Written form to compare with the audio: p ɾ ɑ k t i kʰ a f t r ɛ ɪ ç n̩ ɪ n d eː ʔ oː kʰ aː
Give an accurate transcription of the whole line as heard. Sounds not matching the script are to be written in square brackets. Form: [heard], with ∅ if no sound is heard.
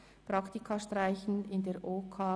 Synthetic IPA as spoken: p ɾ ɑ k t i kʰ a [ʃ] t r [a] ɪ ç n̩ ɪ n d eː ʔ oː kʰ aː